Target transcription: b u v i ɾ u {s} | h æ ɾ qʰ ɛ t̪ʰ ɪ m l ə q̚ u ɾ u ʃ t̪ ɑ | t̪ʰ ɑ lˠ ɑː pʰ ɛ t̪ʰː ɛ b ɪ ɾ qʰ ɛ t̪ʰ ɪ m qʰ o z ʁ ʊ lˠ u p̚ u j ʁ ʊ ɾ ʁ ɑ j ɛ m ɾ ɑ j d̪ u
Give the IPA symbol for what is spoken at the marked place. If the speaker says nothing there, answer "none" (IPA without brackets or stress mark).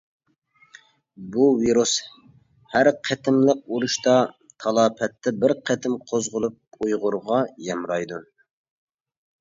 s